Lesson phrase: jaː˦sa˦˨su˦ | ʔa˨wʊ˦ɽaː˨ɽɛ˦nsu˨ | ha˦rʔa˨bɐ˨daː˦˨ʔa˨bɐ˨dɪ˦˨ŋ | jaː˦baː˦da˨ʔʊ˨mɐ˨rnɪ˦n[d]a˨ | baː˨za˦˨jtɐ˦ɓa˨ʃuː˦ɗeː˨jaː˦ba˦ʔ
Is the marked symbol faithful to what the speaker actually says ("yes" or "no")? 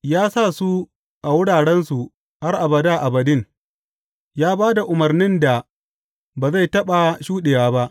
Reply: yes